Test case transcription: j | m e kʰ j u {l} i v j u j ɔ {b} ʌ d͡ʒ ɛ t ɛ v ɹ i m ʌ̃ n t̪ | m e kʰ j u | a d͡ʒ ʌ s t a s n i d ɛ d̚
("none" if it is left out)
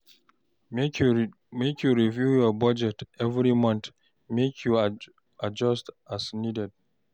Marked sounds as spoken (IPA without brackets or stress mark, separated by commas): ɹ, b